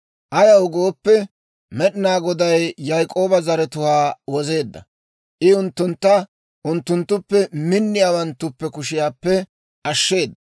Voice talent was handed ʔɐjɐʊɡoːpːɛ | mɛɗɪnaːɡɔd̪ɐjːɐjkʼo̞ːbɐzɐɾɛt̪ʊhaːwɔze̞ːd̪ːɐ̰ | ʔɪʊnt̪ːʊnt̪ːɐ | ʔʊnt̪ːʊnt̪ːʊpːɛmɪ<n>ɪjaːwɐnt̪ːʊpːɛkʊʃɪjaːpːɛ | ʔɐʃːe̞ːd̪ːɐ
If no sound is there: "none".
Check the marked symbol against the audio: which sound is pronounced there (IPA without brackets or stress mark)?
nː